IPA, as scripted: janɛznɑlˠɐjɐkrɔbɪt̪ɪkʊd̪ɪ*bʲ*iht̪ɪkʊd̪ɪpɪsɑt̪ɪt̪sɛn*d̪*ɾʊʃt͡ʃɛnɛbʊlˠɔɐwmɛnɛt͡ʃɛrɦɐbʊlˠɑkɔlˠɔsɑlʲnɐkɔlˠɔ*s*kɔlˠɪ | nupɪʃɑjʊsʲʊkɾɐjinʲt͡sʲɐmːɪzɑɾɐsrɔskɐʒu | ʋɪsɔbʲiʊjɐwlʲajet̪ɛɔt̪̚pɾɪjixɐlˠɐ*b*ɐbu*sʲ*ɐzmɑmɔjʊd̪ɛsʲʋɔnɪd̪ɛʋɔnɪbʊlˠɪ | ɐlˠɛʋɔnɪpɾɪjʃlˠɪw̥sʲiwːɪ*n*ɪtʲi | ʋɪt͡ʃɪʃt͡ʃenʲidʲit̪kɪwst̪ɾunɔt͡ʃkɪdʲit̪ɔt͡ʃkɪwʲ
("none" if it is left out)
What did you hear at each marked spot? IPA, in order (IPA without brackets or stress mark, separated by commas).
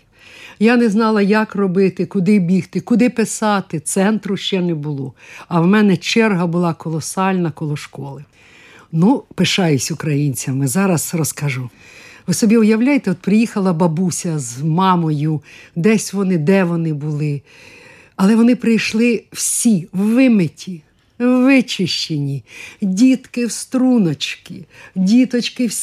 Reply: bʲ, t̪, ʃ, b, sʲ, m